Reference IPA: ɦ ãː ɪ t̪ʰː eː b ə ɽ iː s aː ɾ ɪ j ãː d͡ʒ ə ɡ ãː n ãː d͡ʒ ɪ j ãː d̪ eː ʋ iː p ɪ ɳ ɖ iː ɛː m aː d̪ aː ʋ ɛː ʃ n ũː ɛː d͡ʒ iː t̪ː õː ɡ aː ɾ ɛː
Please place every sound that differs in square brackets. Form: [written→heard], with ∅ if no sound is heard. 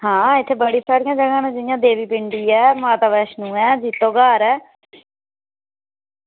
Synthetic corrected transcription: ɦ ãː ɪ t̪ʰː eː b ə ɽ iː s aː ɾ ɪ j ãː d͡ʒ ə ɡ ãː n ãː d͡ʒ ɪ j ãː d̪ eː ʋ iː p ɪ ɳ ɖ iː ɛː m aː [d̪→t̪] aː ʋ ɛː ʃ n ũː ɛː d͡ʒ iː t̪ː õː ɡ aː ɾ ɛː